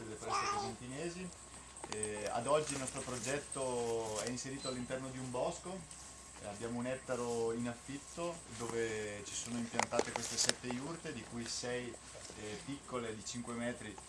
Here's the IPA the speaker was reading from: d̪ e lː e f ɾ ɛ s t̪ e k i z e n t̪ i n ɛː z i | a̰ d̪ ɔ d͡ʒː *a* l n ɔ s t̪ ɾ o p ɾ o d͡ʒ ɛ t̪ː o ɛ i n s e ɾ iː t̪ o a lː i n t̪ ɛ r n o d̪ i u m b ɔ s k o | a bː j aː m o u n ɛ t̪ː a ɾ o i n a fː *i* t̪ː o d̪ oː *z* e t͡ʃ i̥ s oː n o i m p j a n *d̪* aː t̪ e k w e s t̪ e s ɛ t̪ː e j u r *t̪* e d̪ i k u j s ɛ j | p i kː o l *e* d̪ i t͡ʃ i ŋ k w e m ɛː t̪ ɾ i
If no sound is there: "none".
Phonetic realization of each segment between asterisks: i, i, v, t̪, t̪, e

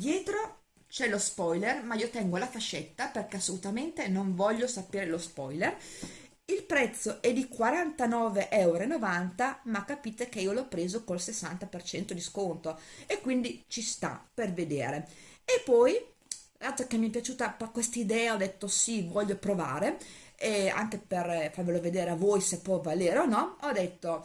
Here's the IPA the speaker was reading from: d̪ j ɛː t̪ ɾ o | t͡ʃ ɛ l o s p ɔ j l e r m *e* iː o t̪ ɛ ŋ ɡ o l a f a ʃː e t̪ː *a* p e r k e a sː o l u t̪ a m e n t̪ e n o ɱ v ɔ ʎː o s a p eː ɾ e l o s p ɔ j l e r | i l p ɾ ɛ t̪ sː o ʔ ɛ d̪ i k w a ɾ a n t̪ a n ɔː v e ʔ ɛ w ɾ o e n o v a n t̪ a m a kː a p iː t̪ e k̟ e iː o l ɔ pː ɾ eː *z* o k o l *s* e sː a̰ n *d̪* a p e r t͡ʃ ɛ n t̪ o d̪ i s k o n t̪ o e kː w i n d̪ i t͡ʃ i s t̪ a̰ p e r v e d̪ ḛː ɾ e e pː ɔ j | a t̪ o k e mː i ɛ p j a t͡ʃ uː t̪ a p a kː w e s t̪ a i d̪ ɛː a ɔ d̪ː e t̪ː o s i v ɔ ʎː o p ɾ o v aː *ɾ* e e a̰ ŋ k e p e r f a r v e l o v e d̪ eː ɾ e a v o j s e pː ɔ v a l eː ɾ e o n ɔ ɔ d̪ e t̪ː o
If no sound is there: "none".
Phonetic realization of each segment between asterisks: a, a, z, s, t̪, ɾ

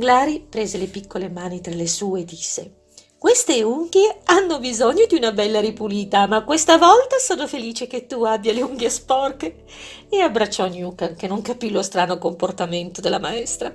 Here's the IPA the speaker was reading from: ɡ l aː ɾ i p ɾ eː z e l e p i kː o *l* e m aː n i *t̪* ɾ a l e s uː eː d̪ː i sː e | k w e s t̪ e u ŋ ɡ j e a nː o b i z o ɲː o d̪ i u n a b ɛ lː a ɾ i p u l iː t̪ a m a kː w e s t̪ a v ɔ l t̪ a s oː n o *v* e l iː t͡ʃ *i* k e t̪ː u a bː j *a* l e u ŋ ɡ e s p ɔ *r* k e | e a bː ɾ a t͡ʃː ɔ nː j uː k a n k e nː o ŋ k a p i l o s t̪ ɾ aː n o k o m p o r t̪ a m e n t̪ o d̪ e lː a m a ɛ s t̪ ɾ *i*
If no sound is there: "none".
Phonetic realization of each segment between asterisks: l, t̪, f, e, a, r, a

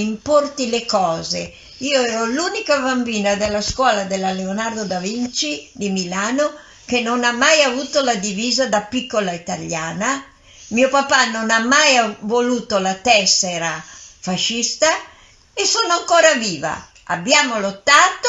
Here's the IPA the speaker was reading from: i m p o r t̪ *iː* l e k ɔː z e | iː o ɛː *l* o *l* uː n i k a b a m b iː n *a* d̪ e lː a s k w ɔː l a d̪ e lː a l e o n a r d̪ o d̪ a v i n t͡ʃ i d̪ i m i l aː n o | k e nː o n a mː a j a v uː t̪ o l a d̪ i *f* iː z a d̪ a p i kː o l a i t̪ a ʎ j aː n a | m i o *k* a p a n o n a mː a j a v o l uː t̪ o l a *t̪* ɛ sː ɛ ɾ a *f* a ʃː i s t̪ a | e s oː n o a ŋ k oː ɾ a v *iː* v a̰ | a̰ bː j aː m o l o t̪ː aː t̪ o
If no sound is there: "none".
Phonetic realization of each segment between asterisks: i, ɾ, l, a, v, p, t̪, f, iː

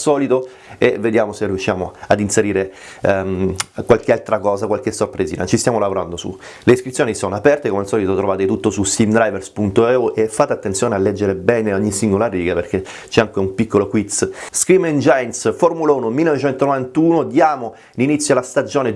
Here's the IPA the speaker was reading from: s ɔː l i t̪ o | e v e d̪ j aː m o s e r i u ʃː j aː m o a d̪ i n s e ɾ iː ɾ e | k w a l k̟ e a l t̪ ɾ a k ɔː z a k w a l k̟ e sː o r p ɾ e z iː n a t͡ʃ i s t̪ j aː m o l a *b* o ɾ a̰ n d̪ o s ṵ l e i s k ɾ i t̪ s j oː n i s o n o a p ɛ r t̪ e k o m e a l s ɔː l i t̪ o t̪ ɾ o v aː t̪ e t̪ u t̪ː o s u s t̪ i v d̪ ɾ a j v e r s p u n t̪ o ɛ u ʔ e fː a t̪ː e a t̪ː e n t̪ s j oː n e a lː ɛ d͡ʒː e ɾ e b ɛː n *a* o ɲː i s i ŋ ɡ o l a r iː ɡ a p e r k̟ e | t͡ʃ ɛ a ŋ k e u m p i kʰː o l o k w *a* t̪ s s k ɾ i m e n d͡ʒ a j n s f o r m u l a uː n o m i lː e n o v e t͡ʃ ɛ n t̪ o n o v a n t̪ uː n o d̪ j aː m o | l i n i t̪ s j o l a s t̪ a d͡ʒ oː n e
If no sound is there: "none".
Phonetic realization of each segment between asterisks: v, e, i

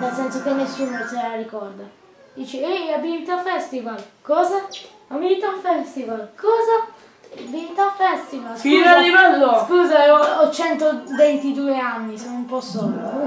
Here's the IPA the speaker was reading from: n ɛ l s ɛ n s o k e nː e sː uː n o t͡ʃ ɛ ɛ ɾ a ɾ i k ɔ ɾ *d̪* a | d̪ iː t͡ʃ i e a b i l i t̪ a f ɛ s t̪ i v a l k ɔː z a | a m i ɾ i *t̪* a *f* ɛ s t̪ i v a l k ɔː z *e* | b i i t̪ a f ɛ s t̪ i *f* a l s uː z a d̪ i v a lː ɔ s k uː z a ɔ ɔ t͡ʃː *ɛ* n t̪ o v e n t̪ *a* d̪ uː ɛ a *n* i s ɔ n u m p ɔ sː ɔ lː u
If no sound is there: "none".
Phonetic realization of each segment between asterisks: d̪, t̪, f, a, v, ɛ, i, nː

